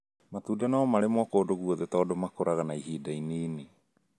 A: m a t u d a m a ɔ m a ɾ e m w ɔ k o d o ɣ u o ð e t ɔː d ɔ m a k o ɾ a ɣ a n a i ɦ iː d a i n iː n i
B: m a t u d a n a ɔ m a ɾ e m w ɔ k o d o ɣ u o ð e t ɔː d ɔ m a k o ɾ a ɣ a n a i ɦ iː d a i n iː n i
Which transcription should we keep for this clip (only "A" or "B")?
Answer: B